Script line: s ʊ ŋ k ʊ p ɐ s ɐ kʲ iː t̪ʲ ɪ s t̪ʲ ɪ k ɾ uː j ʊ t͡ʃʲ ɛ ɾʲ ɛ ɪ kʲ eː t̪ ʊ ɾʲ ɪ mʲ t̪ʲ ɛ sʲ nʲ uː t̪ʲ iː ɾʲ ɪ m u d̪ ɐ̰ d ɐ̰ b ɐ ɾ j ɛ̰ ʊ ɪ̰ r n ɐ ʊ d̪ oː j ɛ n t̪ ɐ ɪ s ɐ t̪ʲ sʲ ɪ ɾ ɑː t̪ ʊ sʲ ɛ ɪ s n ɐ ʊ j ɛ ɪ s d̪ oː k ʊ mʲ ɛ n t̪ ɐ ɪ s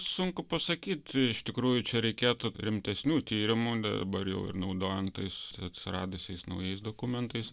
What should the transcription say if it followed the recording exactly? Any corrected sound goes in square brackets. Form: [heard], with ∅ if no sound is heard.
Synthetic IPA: s ʊ ŋ k ʊ p ɐ s ɐ kʲ iː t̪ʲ ɪ [ʃ] t̪ʲ ɪ k ɾ uː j ʊ t͡ʃʲ ɛ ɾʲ ɛ ɪ kʲ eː t̪ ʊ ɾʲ ɪ mʲ t̪ʲ ɛ sʲ nʲ uː t̪ʲ iː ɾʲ ɪ m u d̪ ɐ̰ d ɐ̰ b ɐ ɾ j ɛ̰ ʊ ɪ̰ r n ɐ ʊ d̪ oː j ɛ n t̪ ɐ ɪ s ɐ t̪ʲ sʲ ɪ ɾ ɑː [d̪] ʊ sʲ ɛ ɪ s n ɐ ʊ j ɛ ɪ s d̪ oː k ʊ mʲ ɛ n t̪ ɐ ɪ s